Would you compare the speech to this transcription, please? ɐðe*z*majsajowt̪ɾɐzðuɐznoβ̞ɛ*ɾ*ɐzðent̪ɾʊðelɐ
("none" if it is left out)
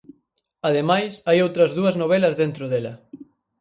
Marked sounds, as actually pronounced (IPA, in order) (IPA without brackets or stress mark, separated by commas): none, l